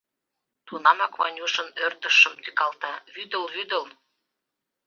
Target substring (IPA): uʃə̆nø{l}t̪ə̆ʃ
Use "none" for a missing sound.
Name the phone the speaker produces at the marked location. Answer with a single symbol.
r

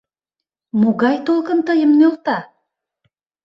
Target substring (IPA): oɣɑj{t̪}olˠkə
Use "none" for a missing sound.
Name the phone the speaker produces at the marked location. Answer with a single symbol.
t̪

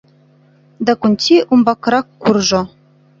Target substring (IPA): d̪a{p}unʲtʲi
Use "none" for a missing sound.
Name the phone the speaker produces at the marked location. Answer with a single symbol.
k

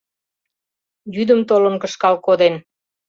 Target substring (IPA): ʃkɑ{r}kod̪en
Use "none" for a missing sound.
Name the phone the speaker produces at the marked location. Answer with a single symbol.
l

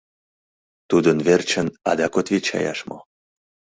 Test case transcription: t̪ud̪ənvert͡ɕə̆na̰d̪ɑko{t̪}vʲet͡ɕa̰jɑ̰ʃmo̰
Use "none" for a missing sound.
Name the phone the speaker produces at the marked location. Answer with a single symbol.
t̪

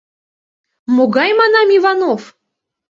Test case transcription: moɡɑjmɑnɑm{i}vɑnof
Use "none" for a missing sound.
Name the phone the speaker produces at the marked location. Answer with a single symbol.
i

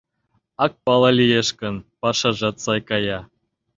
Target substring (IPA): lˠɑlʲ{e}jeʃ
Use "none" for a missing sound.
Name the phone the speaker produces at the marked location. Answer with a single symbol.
i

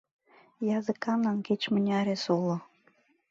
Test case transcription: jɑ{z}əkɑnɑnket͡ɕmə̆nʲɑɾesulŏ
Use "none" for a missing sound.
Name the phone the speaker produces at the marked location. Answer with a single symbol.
z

